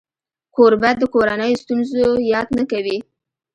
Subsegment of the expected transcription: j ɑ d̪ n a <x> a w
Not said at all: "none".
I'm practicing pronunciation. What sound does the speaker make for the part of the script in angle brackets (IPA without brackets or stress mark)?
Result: k